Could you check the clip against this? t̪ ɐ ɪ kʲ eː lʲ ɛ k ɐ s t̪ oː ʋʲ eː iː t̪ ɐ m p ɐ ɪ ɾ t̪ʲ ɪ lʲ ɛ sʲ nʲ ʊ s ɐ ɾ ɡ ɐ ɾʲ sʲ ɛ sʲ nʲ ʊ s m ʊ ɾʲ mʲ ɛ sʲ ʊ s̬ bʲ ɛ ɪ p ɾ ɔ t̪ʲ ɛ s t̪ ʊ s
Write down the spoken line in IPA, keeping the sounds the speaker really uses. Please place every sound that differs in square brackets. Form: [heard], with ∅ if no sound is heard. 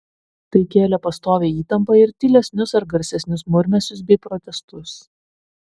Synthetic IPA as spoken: t̪ ɐ ɪ kʲ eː lʲ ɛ [p] ɐ s t̪ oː ʋʲ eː iː t̪ ɐ m p ɐ ɪ ɾ t̪ʲ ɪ lʲ ɛ sʲ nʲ ʊ s ɐ ɾ ɡ ɐ ɾʲ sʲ ɛ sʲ nʲ ʊ s m ʊ ɾʲ mʲ ɛ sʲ ʊ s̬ bʲ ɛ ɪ p ɾ ɔ t̪ʲ ɛ s t̪ ʊ s